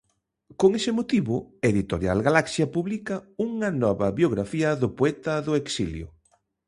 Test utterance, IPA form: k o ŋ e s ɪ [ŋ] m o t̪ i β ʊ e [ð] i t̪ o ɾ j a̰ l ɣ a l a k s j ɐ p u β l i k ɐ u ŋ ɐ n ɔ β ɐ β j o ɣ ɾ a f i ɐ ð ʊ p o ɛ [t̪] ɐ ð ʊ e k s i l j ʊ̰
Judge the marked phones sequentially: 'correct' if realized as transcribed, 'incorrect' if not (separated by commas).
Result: incorrect, correct, correct